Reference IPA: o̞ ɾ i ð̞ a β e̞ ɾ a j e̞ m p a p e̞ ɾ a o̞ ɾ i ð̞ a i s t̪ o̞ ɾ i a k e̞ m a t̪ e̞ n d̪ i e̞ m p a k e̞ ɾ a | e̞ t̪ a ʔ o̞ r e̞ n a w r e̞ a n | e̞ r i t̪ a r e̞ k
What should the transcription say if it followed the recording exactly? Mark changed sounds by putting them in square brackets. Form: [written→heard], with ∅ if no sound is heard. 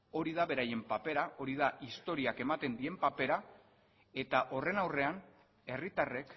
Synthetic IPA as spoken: o̞ ɾ i ð̞ a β e̞ ɾ a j e̞ m p a p e̞ ɾ a o̞ ɾ i ð̞ a i s t̪ o̞ ɾ i a k e̞ m a t̪ e̞ n d̪ i e̞ m p a [k→p] e̞ ɾ a | e̞ t̪ a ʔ o̞ r e̞ n a w r e̞ a n | e̞ r i t̪ a r e̞ k

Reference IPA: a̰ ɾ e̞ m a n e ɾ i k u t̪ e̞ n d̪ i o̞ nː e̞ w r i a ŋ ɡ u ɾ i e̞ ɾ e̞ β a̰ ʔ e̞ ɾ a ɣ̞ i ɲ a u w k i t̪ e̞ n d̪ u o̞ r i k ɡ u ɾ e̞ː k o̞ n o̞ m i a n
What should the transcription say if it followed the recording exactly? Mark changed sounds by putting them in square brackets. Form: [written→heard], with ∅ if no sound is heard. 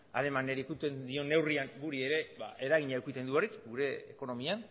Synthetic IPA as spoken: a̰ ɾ e̞ m a n e ɾ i k u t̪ e̞ n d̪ i o̞ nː e̞ w r i a ŋ ɡ u ɾ i e̞ ɾ e̞ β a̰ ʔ e̞ ɾ a ɣ̞ i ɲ a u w k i t̪ e̞ n d̪ u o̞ r i k ɡ u ɾ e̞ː k o̞ n o̞ m i a n

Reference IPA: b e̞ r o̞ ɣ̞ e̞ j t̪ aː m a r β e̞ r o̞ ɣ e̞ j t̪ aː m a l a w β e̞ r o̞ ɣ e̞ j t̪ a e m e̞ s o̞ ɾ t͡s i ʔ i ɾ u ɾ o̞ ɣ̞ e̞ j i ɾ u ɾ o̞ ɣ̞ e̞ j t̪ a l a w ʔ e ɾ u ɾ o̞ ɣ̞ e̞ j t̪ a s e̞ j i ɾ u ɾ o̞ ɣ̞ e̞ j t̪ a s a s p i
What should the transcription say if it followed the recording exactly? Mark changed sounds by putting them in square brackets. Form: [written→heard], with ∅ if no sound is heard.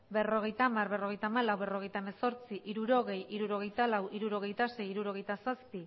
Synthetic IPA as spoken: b e̞ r o̞ ɣ̞ e̞ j t̪ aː m a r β e̞ r o̞ ɣ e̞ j t̪ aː m a l a w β e̞ r o̞ ɣ e̞ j t̪ a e m e̞ s o̞ ɾ t͡s i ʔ i ɾ u ɾ o̞ ɣ̞ e̞ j i ɾ u ɾ o̞ ɣ̞ e̞ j t̪ a l a w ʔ [e→i] ɾ u ɾ o̞ ɣ̞ e̞ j t̪ a s e̞ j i ɾ u ɾ o̞ ɣ̞ e̞ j t̪ a s a s p i

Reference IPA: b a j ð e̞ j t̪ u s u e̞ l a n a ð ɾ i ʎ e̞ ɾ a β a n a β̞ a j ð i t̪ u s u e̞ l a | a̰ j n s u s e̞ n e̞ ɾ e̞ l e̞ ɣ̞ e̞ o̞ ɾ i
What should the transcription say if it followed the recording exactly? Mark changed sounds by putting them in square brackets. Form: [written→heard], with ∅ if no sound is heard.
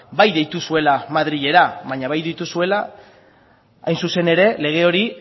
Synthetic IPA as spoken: b a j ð e̞ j t̪ u s u e̞ l a [n→m] a ð ɾ i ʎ e̞ ɾ a β a [n→ɲ] a β̞ a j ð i t̪ u s u e̞ l a | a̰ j n s u s e̞ n e̞ ɾ e̞ l e̞ ɣ̞ e̞ o̞ ɾ i

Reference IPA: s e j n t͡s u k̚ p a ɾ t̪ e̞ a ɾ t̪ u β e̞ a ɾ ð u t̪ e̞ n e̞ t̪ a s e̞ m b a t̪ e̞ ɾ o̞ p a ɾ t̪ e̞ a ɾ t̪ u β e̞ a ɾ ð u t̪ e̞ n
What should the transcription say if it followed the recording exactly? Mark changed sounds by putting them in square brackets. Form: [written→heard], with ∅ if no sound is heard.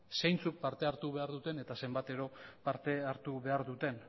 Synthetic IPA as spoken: s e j n t͡s u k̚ p a ɾ t̪ e̞ a ɾ t̪ u β e̞ a ɾ ð u t̪ e̞ n e̞ t̪ a s e̞ m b a t̪ e̞ ɾ o̞ p a ɾ t̪ e̞ a ɾ t̪ u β e̞ a ɾ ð u t̪ e̞ n

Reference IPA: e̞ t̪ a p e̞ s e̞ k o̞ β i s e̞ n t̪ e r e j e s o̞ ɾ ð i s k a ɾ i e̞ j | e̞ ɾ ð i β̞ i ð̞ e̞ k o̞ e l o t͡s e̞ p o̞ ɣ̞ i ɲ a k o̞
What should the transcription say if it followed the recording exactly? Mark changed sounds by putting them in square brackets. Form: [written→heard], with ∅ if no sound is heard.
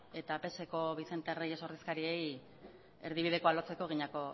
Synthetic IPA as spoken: e̞ t̪ a p e̞ s e̞ k o̞ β i s e̞ n t̪ e r e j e s o̞ ɾ ð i s k a ɾ i e̞ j | e̞ ɾ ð i β̞ i ð̞ e̞ k o̞ [e→a] l o t͡s e̞ [p→k] o̞ ɣ̞ i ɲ a k o̞

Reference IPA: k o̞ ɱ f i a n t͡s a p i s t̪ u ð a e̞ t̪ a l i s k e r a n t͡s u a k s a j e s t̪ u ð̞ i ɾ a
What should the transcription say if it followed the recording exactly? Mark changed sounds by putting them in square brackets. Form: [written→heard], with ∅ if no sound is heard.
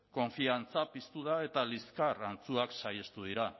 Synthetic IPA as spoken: k o̞ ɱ f i a n t͡s a p i s t̪ u ð a e̞ t̪ a l i s k [e→a] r a n t͡s u a k s a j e s t̪ u ð̞ i ɾ a

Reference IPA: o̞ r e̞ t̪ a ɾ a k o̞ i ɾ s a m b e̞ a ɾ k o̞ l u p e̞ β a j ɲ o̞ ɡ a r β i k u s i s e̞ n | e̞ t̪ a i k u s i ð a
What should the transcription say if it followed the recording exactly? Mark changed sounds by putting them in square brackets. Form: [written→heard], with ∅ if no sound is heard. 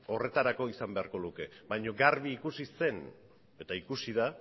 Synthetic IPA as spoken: o̞ r e̞ t̪ a ɾ a k o̞ i [ɾ→∅] s a m b e̞ a ɾ k o̞ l u [p→k] e̞ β a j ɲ o̞ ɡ a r β [i→iː] k u s i s e̞ n | e̞ t̪ a i k u s i ð a

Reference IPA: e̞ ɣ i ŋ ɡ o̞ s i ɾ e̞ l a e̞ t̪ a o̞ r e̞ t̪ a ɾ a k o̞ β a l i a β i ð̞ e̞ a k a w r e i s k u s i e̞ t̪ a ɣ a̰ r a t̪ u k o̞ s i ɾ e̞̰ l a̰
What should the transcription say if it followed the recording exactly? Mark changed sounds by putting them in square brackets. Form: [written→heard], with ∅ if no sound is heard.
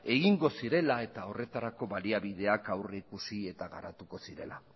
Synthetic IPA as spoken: e̞ ɣ i ŋ ɡ o̞ s i ɾ e̞ l a e̞ t̪ a o̞ r e̞ t̪ a ɾ a k o̞ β a l i a β i ð̞ e̞ a k a w r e i [s→∅] k u s i e̞ t̪ a ɣ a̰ [r→ɾ] a t̪ u k o̞ s i ɾ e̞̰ l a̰

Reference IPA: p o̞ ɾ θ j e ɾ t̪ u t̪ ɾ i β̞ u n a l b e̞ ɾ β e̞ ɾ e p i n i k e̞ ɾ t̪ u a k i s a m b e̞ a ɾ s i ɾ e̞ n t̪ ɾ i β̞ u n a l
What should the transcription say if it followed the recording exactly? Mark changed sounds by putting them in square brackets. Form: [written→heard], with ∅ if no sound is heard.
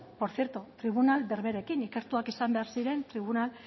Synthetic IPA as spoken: p o̞ ɾ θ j e ɾ t̪ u t̪ ɾ i β̞ u n a l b e̞ ɾ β e̞ ɾ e [p→k] i n i k e̞ ɾ t̪ u a k i s a m b e̞ a ɾ s i ɾ e̞ n t̪ ɾ i β̞ u n a l

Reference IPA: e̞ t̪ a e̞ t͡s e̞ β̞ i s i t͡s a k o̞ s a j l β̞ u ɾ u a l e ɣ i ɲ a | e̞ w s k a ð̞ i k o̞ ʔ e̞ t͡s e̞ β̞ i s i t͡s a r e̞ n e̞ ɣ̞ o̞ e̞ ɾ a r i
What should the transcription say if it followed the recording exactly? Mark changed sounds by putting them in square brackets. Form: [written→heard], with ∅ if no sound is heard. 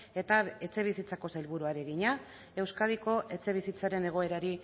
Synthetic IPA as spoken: e̞ t̪ a e̞ t͡s e̞ β̞ i s i t͡s a k o̞ s a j l β̞ u ɾ u a [l→ɾ] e ɣ i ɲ a | e̞ w s k a ð̞ i k o̞ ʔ e̞ t͡s e̞ β̞ i s i t͡s a [r→ɾ] e̞ n e̞ ɣ̞ o̞ e̞ ɾ a [r→ɾ] i

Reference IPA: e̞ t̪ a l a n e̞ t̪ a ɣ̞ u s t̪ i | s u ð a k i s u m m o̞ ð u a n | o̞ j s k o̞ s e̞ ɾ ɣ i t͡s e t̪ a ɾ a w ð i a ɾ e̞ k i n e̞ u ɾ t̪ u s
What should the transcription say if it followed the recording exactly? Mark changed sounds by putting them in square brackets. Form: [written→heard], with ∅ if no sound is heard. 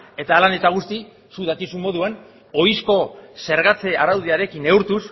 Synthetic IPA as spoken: e̞ t̪ a l a n e̞ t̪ a ɣ̞ u s t̪ i | s u ð a k i s u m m o̞ ð u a n | o̞ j s k o̞ s e̞ ɾ ɣ [i→a] t͡s e [t̪→∅] a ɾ a w ð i a ɾ e̞ k i n e̞ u ɾ t̪ u s

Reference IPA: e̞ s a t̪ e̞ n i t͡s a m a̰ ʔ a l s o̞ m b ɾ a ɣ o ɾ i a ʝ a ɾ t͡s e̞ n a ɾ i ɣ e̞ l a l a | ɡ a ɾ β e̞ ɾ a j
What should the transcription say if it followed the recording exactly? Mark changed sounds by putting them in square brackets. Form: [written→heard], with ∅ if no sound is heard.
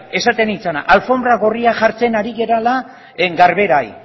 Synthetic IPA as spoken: e̞ s a t̪ e̞ n i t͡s a [m→n] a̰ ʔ a l [s→f] o̞ m b ɾ a ɣ o [ɾ→r] i a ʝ a ɾ t͡s e̞ n a ɾ i ɣ e̞ [l→ɾ] a l a | ɡ a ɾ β e̞ ɾ a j

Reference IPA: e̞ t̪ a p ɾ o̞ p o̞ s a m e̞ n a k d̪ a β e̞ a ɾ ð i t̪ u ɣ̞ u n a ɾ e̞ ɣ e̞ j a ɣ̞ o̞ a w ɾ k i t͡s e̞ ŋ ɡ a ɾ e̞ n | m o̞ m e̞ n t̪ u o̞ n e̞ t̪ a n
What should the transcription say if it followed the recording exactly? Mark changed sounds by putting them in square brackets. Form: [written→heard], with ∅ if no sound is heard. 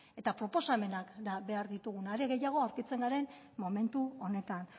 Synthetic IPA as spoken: e̞ t̪ a p ɾ o̞ p o̞ s a m e̞ n a k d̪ a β e̞ a ɾ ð i t̪ u ɣ̞ u n a ɾ e̞ ɣ e̞ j a ɣ̞ o̞ a w ɾ k i t͡s e̞ ŋ ɡ a ɾ e̞ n | m o̞ m e̞ n t̪ u o̞ n e̞ t̪ a n

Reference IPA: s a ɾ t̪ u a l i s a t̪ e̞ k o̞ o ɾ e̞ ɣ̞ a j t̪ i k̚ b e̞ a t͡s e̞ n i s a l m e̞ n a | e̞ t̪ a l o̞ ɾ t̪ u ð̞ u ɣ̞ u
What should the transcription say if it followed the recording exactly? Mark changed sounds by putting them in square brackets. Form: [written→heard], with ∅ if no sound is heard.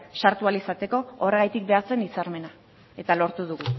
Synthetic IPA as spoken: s a ɾ t̪ u a l i s a t̪ e̞ k o̞ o [ɾ→r] e̞ ɣ̞ a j t̪ i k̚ b e̞ a t͡s e̞ n i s a [l→ɾ] m e̞ n a | e̞ t̪ a l o̞ ɾ t̪ u ð̞ u ɣ̞ u

